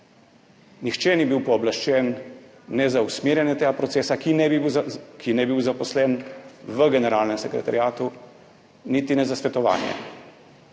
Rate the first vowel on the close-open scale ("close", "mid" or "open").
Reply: close